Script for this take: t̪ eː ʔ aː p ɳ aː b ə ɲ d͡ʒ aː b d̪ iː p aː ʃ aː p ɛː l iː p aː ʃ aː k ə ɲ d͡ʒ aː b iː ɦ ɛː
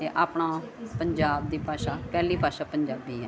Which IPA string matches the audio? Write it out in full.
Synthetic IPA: t̪ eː ʔ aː p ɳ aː p ə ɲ d͡ʒ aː b d̪ iː p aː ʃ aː p ɛː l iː p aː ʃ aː p ə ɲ d͡ʒ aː b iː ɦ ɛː